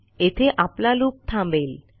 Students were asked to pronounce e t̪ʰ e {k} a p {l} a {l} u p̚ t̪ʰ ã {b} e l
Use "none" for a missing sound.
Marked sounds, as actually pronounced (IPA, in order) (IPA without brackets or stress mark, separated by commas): ʔ, l, l, b